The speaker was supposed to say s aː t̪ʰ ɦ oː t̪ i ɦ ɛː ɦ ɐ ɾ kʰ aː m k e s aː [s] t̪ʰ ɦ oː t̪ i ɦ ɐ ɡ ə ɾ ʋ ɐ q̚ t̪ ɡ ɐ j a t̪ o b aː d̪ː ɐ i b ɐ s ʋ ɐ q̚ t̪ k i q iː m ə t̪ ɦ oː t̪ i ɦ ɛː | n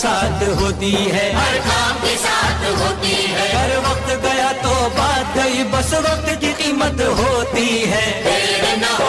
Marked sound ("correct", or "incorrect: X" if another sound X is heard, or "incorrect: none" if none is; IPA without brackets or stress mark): incorrect: none